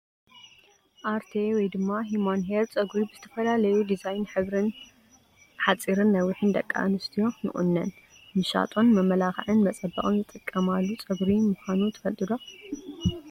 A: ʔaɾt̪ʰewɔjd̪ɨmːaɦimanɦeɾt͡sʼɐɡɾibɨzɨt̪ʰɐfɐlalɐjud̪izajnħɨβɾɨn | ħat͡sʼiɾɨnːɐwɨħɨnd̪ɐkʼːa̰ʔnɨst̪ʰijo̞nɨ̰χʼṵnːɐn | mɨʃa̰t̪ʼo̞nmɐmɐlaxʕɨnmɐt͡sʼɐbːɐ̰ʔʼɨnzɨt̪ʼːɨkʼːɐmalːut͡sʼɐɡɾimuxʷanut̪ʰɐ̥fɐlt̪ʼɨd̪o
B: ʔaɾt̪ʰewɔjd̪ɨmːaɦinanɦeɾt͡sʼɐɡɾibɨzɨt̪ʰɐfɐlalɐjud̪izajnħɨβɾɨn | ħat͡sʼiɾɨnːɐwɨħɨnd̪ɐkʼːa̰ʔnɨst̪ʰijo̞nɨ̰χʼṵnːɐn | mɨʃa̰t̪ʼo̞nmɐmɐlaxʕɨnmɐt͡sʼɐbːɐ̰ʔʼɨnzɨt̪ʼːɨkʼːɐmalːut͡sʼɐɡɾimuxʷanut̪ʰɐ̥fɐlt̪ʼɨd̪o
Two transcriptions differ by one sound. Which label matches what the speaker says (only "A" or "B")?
A